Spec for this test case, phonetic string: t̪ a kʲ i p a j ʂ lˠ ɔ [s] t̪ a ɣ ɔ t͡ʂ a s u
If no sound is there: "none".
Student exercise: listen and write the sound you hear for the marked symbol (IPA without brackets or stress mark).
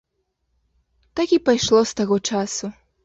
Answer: s